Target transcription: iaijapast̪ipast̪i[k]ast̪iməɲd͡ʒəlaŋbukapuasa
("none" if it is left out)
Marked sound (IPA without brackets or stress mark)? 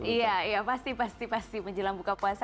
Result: p